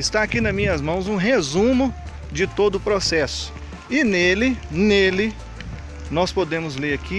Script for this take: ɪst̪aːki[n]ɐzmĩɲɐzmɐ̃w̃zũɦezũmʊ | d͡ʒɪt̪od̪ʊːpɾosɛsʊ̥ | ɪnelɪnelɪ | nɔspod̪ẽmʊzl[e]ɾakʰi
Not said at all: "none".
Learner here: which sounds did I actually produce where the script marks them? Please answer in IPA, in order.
n, e

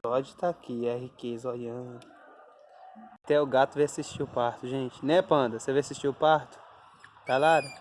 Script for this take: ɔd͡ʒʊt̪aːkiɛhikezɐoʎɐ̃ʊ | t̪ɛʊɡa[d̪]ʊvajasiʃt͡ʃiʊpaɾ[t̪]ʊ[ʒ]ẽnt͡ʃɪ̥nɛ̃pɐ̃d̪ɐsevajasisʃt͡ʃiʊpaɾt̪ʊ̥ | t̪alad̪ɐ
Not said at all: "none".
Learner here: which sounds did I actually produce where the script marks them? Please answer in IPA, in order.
t̪, t̪, ʒ

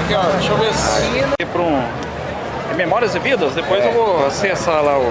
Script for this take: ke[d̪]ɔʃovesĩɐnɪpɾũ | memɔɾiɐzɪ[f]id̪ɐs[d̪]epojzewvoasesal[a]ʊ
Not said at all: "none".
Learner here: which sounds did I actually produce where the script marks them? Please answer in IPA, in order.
none, v, d̪, a

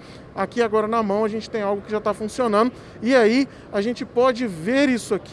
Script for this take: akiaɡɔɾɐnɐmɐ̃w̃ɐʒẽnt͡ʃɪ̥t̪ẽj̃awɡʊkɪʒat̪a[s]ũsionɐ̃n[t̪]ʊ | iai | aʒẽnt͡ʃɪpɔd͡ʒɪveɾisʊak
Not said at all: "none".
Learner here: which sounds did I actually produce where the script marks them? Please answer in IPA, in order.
f, d̪

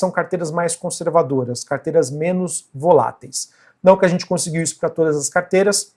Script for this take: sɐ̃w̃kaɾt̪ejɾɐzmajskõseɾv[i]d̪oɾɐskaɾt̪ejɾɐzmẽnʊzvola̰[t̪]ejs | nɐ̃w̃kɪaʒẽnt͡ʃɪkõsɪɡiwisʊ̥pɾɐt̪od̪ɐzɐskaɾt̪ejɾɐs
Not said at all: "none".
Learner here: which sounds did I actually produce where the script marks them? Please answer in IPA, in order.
a, t̪

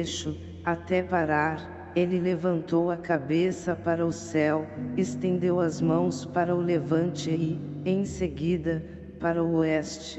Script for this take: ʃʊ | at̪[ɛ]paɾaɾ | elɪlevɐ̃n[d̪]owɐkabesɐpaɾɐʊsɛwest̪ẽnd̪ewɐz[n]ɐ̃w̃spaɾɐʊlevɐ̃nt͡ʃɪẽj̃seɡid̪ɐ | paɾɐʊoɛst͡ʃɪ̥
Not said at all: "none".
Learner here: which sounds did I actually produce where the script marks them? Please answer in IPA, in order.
ɛ, t̪, m

